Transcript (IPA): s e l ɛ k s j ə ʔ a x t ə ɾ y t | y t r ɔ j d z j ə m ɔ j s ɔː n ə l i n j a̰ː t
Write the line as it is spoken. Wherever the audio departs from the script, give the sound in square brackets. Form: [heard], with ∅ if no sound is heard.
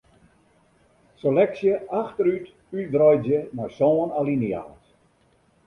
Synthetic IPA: s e l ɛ k s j ə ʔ a x t ə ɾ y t | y [d] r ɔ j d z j ə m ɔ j s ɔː n [a] l i n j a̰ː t